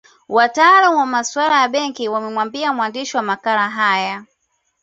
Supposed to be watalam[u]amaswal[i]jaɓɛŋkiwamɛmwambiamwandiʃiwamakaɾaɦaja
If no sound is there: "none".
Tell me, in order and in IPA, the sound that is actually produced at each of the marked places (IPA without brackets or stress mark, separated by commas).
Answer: w, a